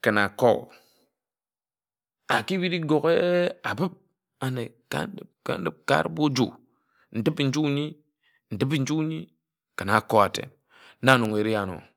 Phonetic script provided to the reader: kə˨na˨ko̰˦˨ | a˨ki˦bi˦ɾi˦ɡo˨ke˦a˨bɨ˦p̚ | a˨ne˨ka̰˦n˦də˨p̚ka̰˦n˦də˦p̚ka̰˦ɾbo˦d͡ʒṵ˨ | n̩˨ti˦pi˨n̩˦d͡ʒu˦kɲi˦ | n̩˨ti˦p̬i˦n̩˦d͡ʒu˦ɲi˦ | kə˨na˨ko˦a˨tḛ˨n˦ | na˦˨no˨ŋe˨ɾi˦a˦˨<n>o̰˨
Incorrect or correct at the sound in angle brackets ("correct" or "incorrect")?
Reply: correct